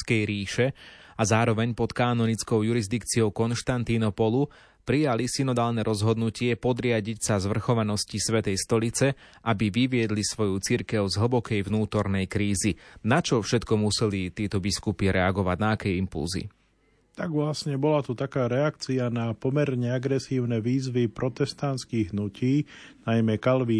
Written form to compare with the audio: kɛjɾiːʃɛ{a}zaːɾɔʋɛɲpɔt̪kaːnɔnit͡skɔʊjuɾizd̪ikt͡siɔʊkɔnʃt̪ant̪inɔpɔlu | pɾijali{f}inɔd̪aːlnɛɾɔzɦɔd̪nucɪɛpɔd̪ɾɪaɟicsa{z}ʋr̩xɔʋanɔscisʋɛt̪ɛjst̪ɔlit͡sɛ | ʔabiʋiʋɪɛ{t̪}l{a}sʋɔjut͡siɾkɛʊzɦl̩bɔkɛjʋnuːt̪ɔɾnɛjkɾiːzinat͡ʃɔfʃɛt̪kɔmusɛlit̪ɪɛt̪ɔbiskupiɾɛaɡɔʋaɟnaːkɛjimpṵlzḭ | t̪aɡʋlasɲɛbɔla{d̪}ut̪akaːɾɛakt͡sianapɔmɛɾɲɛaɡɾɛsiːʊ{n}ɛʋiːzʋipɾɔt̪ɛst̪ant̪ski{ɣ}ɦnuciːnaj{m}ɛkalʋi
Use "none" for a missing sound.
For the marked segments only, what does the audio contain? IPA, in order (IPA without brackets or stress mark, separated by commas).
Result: a, s, z, d̪, i, t̪, n, ɣ, m